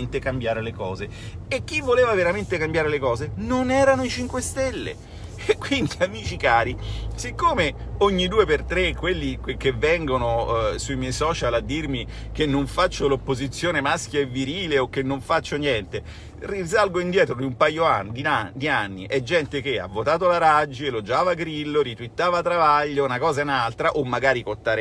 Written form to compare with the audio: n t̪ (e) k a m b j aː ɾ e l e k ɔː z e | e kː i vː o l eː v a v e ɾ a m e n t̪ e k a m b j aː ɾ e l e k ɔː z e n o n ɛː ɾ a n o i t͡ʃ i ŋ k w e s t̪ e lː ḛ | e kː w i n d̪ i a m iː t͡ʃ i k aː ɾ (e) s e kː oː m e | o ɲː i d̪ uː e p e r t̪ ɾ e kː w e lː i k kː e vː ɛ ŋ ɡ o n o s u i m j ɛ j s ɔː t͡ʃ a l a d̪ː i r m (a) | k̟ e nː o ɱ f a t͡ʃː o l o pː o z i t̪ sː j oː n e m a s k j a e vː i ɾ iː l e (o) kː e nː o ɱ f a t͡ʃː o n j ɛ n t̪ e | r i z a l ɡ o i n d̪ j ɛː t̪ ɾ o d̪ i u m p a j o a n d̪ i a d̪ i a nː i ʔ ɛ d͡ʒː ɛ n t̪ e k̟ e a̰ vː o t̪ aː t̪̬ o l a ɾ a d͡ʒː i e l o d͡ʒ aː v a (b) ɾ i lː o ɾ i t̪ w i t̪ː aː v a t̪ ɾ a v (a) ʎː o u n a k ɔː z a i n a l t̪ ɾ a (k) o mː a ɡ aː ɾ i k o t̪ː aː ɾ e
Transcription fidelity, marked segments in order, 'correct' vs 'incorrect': correct, incorrect: i, incorrect: i, correct, incorrect: ɡ, correct, incorrect: ʔ

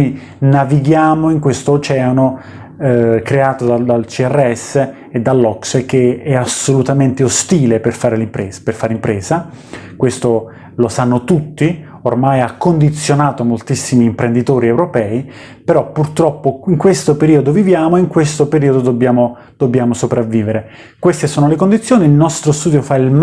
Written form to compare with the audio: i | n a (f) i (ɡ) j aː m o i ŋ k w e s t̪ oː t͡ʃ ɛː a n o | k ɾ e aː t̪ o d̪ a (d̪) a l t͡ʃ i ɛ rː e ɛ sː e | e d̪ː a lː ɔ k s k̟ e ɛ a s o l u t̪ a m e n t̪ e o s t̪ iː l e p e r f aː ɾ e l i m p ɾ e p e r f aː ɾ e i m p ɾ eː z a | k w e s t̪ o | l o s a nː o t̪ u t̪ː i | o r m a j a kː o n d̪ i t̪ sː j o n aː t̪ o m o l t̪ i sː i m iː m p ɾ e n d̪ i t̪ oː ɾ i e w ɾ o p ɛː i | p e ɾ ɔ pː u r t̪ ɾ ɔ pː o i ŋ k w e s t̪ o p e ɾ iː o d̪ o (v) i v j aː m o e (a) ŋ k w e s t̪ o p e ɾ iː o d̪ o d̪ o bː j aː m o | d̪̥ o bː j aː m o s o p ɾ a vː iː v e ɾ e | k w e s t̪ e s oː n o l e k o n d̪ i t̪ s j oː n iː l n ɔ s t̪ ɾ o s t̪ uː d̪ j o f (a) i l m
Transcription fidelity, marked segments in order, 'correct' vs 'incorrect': incorrect: v, correct, correct, correct, incorrect: i, correct

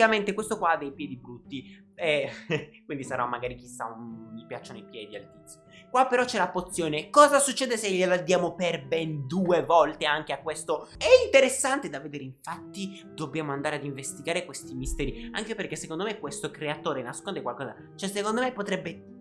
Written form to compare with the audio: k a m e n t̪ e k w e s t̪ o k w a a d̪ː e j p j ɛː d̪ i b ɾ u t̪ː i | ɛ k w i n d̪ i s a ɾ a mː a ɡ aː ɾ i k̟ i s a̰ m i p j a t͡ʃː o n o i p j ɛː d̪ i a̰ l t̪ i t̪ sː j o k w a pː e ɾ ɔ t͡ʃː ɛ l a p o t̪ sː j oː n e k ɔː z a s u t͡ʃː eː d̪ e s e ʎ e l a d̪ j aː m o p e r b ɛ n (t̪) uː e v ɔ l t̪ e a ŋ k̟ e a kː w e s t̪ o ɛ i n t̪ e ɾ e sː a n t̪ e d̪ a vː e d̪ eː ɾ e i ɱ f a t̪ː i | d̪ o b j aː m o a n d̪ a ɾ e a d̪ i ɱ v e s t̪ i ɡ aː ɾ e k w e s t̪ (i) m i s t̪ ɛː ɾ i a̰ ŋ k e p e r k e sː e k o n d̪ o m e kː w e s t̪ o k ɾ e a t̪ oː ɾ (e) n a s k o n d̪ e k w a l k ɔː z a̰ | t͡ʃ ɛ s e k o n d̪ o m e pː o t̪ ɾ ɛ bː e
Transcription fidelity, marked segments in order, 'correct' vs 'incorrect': incorrect: d̪, correct, correct

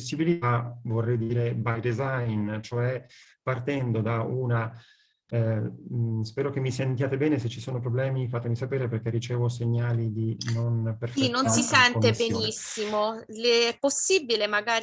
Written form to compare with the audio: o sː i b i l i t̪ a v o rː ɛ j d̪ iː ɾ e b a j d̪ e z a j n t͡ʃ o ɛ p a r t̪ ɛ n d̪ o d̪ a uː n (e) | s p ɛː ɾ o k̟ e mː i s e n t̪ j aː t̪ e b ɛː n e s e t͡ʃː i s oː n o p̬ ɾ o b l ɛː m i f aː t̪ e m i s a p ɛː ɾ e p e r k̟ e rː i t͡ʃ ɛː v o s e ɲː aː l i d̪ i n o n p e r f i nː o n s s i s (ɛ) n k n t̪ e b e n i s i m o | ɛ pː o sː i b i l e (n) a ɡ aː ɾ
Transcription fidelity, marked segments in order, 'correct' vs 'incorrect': incorrect: a, correct, incorrect: m

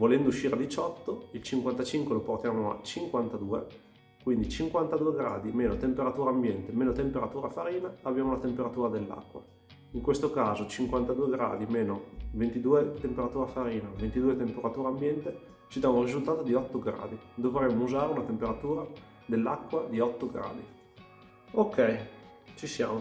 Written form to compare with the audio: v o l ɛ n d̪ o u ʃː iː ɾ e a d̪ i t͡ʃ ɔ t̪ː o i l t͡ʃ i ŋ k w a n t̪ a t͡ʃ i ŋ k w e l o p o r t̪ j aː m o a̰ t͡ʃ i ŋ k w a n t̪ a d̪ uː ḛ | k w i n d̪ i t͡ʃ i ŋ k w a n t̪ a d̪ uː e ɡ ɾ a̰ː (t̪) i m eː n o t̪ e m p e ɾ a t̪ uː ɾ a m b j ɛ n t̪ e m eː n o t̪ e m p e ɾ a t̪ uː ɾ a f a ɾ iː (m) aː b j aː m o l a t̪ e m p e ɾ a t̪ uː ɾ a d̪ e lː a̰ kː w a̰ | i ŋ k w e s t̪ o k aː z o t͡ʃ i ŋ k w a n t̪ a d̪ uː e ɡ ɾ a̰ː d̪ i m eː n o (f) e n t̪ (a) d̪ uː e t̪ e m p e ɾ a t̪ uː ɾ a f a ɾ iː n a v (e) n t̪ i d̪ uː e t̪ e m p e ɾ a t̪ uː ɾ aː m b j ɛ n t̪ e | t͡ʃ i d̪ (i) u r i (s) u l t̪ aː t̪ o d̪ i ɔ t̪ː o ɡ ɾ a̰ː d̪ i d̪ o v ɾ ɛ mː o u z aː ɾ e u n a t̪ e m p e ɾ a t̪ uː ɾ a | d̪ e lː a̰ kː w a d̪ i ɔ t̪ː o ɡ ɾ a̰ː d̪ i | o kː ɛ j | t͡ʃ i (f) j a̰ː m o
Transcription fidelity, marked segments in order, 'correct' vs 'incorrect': incorrect: d̪, incorrect: n, incorrect: v, incorrect: i, correct, incorrect: a, incorrect: z, incorrect: s

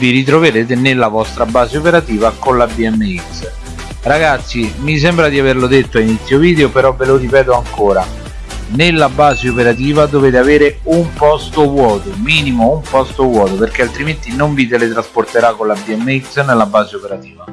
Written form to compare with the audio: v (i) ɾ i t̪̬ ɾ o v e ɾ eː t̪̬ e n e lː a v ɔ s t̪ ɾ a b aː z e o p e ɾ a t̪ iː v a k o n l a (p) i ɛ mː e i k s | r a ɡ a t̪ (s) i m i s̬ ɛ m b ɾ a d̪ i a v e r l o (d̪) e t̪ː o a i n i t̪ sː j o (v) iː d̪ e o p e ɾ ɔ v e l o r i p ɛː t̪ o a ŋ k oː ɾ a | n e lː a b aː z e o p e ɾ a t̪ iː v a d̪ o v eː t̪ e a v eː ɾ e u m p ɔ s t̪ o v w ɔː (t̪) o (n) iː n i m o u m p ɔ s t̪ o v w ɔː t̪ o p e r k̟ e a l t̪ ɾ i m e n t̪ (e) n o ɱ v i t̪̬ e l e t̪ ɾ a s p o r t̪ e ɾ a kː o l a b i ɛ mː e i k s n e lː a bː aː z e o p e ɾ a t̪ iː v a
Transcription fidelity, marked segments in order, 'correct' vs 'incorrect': correct, incorrect: b, incorrect: sː, correct, correct, correct, incorrect: m, incorrect: i

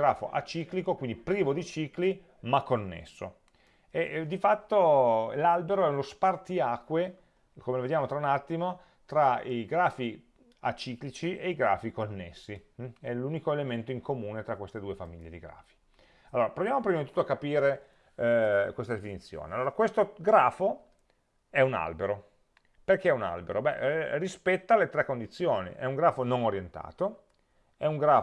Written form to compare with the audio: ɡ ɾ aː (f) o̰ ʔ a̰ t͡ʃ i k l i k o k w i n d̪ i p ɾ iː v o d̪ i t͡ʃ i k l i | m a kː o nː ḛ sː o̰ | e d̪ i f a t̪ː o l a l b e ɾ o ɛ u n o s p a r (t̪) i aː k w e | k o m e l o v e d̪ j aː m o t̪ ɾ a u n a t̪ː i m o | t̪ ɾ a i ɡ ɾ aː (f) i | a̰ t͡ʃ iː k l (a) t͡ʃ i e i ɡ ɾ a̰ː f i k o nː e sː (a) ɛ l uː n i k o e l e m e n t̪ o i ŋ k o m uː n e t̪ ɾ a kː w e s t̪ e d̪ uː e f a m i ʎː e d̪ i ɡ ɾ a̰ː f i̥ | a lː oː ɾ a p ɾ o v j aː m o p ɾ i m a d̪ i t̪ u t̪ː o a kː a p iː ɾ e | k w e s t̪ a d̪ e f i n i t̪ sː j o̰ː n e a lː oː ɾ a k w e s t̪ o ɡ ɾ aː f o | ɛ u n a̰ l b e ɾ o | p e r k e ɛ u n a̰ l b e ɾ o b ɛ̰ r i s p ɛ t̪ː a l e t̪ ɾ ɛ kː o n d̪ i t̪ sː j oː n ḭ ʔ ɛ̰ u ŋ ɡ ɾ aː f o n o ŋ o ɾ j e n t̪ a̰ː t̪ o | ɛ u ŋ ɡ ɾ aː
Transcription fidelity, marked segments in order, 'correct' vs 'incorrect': correct, correct, correct, incorrect: i, incorrect: i

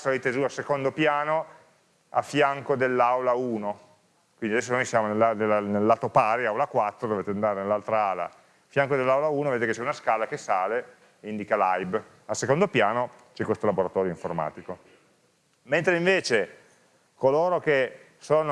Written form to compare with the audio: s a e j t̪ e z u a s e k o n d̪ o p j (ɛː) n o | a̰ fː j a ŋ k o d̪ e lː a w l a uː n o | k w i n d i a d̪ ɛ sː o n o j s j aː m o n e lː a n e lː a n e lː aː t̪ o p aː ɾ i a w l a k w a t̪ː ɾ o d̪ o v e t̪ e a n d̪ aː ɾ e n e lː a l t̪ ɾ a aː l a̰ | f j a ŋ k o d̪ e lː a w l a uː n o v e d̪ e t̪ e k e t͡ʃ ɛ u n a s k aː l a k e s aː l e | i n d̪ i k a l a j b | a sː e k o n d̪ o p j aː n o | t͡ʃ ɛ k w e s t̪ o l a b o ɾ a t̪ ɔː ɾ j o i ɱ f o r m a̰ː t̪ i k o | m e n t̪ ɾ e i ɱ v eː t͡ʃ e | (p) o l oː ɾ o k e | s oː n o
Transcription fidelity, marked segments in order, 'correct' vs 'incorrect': incorrect: aː, incorrect: k

